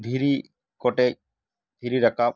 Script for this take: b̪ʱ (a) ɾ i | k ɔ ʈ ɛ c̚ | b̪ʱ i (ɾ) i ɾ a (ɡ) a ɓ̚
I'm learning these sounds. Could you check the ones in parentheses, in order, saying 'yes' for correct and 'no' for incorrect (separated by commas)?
no, yes, no